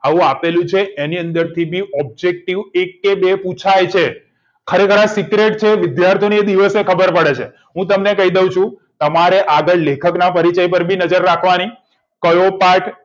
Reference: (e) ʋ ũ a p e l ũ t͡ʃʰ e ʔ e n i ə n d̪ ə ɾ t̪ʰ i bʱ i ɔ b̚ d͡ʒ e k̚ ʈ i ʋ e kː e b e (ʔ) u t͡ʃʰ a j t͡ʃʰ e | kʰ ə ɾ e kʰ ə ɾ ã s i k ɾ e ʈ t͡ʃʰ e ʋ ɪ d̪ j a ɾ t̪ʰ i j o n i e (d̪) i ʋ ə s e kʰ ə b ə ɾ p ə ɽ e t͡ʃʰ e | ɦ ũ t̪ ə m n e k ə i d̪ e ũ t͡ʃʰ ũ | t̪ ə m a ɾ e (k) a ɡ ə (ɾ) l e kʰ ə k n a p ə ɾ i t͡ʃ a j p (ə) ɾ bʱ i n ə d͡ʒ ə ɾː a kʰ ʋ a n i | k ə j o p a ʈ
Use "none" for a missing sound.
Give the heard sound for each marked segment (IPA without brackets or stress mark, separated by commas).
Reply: a, p, d̪, ʔ, ɭ, ə